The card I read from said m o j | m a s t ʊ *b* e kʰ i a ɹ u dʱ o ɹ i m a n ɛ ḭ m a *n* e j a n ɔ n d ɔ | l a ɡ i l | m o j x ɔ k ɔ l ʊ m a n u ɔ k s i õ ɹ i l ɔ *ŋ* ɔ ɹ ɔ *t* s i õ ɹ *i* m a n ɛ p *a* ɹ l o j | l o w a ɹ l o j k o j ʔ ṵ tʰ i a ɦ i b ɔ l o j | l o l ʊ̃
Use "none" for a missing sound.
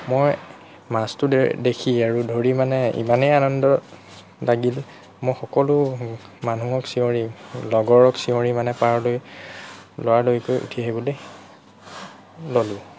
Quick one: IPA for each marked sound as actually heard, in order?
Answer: d, n, ɡ, k, i, a

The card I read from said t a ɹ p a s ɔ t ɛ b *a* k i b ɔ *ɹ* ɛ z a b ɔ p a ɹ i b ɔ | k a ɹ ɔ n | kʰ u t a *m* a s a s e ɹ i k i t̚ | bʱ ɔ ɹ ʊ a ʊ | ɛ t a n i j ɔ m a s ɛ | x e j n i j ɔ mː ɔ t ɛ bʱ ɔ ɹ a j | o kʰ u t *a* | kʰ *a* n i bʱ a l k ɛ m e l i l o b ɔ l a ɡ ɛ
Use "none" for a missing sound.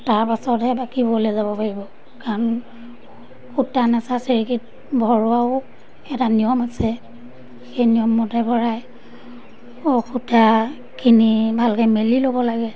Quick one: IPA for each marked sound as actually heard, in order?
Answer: a, l, n, a, i

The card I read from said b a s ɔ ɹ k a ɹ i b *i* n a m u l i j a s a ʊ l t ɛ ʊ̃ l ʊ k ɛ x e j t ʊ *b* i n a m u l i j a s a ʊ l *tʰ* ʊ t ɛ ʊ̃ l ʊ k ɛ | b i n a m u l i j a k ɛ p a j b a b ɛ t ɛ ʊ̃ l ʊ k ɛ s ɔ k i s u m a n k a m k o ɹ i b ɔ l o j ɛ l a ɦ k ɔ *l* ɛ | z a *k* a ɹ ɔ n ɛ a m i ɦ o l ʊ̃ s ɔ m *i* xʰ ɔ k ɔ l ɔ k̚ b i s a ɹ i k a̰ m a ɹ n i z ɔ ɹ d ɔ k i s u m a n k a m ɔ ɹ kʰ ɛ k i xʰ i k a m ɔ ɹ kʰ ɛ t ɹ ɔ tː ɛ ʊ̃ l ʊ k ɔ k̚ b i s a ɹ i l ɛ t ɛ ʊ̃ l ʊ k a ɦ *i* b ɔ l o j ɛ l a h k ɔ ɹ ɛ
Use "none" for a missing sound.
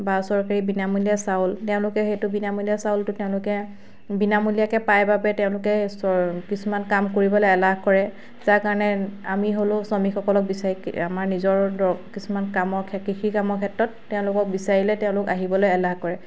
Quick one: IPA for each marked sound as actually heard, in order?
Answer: i, b, t, ɹ, k, i, i

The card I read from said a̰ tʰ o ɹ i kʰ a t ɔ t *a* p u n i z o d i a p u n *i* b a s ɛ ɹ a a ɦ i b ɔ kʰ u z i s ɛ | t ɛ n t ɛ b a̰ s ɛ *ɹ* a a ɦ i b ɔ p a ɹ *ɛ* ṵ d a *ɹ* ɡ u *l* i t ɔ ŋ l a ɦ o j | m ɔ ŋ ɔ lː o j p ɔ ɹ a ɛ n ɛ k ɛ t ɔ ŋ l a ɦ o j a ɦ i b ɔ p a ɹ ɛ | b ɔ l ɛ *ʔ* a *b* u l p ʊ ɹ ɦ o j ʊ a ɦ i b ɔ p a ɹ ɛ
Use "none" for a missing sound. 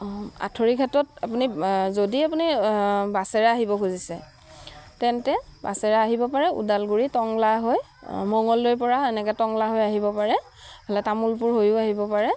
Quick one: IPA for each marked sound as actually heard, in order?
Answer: a, i, ɹ, ɛ, l, ɹ, t, m

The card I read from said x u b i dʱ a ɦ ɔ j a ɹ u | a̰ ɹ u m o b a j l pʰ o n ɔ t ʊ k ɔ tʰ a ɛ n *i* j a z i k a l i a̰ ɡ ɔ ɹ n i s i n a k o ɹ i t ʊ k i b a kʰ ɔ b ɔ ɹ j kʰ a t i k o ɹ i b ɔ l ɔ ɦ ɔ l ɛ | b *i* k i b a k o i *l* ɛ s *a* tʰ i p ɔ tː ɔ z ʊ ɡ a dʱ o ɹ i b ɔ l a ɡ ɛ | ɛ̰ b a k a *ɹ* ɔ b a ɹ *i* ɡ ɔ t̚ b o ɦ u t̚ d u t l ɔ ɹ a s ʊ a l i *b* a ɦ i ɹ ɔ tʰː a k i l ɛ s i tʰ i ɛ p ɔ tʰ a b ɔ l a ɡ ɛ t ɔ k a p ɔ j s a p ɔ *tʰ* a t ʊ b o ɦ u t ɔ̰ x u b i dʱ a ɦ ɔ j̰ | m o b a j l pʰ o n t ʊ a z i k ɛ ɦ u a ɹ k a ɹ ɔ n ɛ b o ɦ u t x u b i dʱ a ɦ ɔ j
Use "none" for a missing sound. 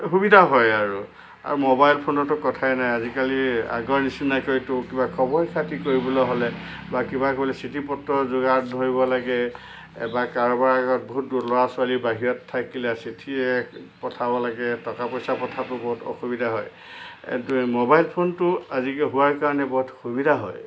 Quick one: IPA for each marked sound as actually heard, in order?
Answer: a, a, l, i, ɹ, a, b, tʰ

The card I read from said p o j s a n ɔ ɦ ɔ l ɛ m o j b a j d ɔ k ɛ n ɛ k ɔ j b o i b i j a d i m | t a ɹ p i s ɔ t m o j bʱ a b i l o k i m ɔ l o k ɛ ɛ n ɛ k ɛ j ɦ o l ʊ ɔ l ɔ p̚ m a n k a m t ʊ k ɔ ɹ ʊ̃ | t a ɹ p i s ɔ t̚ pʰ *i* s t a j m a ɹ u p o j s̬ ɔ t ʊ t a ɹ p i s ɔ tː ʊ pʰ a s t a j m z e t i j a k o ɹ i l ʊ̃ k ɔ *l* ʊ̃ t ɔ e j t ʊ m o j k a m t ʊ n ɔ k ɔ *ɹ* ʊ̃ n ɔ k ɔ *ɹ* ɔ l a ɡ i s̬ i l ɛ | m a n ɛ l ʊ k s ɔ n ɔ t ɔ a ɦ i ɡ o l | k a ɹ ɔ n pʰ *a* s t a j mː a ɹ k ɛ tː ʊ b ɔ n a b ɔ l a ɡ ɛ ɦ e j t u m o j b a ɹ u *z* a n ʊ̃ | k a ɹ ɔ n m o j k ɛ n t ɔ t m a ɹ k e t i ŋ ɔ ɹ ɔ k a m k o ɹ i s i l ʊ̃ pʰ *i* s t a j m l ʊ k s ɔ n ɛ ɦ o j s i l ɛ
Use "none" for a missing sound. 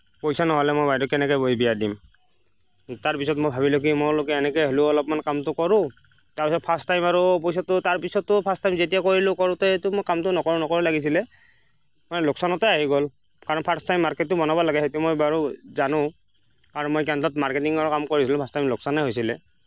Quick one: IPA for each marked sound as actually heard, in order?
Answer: a, ɹ, ɹ, ɹ, a, z, a

